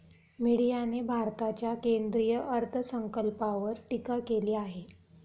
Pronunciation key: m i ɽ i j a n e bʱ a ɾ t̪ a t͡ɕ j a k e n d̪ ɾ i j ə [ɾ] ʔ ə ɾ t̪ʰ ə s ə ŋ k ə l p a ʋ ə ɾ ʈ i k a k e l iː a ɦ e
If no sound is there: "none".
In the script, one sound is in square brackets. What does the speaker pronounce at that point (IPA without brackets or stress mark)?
none